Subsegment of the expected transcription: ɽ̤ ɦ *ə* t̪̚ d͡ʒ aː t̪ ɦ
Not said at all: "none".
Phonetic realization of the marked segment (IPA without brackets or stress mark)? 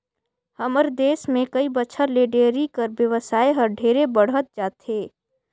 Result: ə